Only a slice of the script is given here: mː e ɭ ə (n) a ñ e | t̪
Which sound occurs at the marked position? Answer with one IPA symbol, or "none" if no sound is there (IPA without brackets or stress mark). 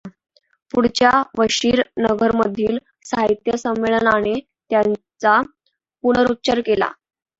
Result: n